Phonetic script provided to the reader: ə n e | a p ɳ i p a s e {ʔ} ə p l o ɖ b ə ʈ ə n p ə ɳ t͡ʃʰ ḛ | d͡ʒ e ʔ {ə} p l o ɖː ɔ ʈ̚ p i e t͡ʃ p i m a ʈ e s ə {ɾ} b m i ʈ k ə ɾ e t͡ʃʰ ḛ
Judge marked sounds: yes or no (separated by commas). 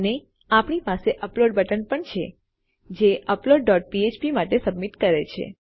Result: yes, yes, no